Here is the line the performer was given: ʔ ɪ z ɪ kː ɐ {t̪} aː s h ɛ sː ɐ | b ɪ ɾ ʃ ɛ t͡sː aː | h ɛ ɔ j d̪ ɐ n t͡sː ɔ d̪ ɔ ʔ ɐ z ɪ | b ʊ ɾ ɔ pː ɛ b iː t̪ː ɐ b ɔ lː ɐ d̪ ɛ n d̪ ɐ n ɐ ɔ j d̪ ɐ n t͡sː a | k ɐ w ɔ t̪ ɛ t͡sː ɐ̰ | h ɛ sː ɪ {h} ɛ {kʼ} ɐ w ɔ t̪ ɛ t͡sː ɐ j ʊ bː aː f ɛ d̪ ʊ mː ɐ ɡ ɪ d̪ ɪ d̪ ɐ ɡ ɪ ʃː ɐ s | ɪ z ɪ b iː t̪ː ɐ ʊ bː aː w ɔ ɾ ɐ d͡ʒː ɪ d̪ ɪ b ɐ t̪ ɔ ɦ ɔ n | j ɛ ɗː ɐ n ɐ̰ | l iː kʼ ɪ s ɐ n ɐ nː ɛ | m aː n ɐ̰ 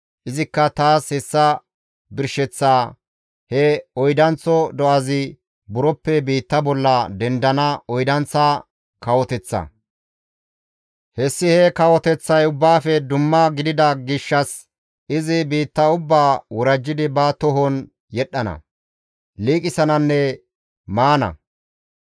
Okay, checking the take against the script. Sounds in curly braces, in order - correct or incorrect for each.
correct, correct, incorrect

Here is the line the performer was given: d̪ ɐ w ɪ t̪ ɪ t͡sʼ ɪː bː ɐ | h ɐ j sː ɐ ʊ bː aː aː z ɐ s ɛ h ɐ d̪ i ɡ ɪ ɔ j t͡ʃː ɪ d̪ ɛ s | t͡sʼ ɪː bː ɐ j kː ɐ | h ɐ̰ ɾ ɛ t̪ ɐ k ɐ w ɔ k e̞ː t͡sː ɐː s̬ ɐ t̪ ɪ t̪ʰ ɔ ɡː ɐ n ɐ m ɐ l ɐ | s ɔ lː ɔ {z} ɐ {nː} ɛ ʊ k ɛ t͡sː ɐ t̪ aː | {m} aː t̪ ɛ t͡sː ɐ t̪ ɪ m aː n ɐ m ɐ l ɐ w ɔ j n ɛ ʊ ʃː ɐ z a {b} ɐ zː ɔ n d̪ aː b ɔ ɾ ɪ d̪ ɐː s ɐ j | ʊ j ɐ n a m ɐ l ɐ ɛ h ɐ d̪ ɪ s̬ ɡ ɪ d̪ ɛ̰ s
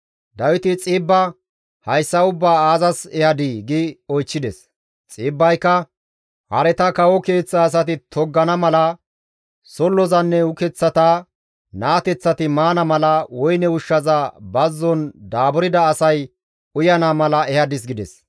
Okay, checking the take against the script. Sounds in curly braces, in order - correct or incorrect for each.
correct, correct, incorrect, correct

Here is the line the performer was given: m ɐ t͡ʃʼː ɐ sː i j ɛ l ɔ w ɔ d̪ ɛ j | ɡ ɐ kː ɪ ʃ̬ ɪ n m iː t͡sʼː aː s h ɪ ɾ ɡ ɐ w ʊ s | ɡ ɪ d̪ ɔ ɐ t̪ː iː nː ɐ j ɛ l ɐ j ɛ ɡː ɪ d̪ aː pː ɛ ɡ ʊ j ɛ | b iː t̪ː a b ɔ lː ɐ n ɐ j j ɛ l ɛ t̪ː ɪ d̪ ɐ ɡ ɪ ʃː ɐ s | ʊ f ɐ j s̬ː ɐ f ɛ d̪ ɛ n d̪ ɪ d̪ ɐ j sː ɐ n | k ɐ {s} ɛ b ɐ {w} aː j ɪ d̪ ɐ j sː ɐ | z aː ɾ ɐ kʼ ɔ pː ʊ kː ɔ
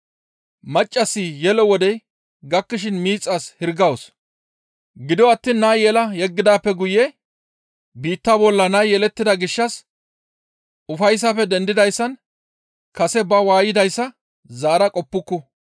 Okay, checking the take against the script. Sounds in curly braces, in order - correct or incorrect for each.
correct, correct

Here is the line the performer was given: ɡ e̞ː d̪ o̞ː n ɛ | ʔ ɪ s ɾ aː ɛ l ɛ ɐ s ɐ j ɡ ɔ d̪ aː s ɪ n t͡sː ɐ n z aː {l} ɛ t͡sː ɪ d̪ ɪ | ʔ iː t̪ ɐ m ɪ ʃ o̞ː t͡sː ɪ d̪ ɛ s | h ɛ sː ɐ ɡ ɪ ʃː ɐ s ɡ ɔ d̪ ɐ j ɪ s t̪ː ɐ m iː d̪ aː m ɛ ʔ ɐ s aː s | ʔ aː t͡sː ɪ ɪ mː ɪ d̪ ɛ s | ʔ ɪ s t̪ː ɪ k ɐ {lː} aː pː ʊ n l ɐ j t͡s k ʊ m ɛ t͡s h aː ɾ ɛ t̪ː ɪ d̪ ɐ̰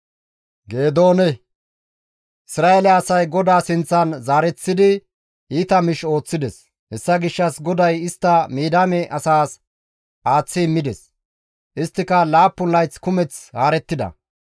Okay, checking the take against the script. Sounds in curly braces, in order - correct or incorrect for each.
incorrect, incorrect

